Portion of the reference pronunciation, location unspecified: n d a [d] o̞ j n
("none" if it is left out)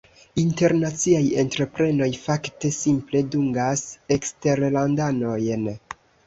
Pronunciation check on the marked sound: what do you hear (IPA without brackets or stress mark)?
n